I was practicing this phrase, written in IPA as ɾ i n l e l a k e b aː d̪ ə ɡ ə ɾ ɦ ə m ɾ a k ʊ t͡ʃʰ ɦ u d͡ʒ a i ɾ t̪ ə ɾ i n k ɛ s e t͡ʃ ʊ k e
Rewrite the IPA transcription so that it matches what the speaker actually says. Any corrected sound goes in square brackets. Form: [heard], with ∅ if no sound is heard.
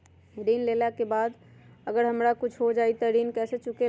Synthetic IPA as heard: ɾ i n l e l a k e b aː d̪ ə ɡ ə ɾ ɦ ə m ɾ a k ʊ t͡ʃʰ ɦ [o] d͡ʒ a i [∅] t̪ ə ɾ i n k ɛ s e t͡ʃ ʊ k e